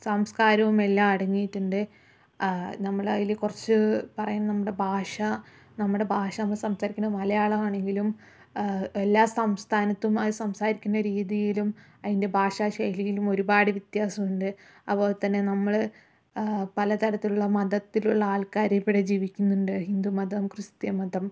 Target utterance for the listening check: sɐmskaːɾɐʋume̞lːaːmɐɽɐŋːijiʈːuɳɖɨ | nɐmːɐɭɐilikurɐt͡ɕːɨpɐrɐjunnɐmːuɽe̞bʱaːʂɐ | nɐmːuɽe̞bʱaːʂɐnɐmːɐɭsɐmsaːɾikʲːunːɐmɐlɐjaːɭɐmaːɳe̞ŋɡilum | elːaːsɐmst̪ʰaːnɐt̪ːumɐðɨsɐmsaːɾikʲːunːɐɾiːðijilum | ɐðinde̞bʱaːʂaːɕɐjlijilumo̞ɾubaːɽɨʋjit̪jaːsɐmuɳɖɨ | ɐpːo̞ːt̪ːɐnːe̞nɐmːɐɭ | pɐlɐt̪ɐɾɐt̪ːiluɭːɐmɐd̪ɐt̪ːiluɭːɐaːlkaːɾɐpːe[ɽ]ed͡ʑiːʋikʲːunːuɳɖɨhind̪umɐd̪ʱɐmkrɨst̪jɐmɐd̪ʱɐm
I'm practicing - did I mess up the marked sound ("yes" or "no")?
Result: no